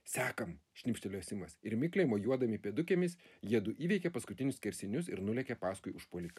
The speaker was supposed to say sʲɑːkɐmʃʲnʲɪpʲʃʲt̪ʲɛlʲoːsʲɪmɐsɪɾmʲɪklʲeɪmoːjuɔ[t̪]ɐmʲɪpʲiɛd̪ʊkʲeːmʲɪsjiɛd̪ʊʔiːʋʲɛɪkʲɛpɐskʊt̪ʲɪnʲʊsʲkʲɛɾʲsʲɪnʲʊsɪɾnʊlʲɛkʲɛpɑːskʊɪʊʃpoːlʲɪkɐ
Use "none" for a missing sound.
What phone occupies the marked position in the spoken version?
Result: d̪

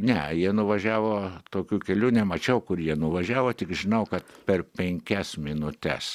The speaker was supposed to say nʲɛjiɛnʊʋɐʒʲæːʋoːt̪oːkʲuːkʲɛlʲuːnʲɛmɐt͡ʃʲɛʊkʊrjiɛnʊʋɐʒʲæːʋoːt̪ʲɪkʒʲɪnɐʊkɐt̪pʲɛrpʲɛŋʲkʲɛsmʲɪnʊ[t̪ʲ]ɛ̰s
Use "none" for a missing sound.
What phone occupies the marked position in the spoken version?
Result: t̪ʲ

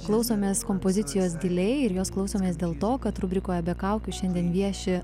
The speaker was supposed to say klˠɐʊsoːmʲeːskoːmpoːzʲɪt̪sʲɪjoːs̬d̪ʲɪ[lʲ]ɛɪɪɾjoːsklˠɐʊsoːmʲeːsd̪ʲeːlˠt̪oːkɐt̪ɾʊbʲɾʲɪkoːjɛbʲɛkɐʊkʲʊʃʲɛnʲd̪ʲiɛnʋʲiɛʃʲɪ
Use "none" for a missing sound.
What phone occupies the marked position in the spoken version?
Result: lʲ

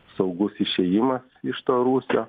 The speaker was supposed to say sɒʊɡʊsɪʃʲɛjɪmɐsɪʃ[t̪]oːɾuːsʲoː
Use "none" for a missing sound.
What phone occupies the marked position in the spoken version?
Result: t̪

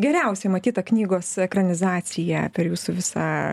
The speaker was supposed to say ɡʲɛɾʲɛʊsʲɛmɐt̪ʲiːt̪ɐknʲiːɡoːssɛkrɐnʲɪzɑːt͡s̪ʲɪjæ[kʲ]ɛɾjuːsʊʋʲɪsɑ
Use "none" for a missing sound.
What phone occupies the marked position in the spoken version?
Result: pʲ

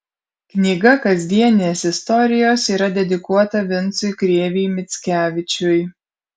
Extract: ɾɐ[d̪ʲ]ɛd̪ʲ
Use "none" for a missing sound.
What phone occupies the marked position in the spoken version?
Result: d̪ʲ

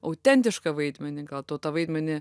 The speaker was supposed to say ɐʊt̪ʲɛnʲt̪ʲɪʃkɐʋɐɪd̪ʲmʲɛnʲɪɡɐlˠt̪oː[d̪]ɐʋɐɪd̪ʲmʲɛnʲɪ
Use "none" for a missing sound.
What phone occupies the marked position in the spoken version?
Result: t̪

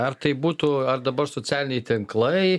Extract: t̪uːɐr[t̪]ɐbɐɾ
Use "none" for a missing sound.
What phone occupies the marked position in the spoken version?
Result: d̪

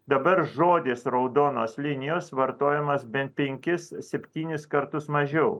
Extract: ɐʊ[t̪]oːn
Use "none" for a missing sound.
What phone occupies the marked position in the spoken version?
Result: d̪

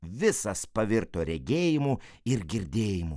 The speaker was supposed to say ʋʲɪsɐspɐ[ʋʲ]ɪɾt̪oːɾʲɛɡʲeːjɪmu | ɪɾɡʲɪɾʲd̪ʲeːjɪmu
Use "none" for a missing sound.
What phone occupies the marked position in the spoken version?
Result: ʋʲ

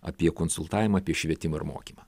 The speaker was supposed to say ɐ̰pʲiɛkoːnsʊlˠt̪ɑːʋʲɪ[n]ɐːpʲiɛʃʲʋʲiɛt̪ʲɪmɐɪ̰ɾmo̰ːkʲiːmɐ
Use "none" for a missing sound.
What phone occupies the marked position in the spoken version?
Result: m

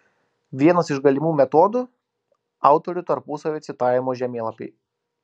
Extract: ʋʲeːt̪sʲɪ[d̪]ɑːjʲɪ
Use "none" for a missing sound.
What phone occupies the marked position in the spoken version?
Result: t̪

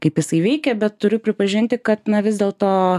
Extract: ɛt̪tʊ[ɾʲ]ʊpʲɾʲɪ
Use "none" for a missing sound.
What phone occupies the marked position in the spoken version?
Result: ɾʲ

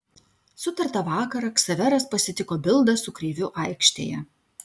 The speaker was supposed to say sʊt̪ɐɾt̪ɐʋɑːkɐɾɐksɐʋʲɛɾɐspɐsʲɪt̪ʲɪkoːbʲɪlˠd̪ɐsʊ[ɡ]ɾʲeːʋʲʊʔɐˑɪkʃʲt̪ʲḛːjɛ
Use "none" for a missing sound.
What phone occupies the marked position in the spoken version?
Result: k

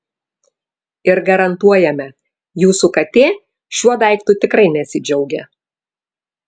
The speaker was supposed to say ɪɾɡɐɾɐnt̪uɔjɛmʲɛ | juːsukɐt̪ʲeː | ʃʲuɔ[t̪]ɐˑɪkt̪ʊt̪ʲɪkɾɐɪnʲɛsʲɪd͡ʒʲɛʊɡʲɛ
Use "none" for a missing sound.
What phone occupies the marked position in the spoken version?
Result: d̪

